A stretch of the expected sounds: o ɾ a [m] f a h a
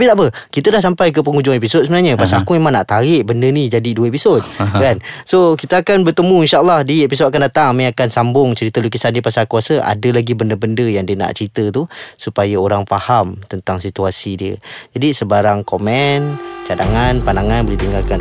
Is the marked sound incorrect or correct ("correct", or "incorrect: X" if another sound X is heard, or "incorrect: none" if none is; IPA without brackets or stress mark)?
incorrect: ŋ